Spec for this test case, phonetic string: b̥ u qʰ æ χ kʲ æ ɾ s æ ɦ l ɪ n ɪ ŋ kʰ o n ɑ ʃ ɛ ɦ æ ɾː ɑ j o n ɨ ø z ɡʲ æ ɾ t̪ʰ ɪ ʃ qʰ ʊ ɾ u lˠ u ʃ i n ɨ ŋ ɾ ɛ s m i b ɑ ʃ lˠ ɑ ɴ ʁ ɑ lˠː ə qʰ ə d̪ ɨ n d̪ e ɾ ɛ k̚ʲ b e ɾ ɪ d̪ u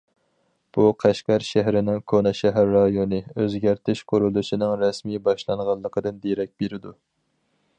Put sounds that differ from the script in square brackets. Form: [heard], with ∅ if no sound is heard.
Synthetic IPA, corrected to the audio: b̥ u qʰ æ [ʃ] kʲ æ ɾ [ʃ] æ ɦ [ɾ] ɪ n ɪ ŋ kʰ o n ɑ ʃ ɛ ɦ æ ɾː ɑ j o n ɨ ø z ɡʲ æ ɾ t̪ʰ ɪ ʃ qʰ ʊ ɾ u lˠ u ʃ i n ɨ ŋ ɾ ɛ s m i b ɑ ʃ lˠ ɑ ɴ ʁ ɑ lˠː ə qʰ ə d̪ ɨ n d̪ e ɾ ɛ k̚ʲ b e ɾ ɪ d̪ u